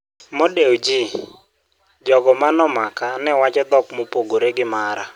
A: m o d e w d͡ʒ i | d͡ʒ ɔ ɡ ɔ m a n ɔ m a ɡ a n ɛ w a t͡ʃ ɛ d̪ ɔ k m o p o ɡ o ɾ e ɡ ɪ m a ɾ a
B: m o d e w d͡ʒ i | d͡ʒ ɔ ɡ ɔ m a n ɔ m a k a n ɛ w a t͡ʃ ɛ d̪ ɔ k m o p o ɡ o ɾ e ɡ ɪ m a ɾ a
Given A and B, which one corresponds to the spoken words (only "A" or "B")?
B